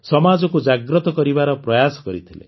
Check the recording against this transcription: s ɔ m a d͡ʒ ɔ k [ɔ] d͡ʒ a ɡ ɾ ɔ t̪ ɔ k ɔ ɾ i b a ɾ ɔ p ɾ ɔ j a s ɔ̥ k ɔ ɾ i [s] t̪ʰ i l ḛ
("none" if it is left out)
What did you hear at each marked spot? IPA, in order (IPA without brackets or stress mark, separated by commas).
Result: u, none